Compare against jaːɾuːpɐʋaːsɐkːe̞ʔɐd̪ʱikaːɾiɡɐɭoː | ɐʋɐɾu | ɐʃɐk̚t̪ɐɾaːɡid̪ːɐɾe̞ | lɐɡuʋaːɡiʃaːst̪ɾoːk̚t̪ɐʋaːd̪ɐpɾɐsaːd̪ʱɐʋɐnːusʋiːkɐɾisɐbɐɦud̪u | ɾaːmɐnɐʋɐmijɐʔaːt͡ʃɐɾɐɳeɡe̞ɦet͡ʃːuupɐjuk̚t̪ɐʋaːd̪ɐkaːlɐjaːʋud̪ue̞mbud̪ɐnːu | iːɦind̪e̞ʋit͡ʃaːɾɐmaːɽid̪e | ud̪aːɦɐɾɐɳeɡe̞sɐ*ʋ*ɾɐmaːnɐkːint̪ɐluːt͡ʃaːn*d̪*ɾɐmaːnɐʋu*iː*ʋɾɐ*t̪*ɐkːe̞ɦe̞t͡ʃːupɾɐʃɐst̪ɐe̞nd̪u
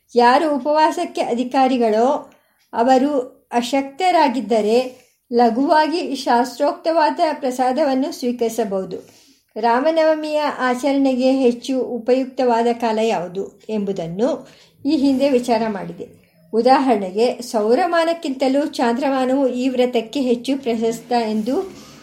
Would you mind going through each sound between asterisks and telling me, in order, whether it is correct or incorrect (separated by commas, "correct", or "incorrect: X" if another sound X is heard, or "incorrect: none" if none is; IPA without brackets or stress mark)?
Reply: incorrect: w, correct, correct, correct